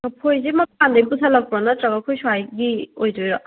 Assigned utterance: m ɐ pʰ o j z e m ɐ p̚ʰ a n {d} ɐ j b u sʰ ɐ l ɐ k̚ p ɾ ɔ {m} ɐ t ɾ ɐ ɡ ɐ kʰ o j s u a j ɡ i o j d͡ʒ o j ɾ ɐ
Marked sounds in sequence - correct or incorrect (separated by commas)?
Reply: correct, incorrect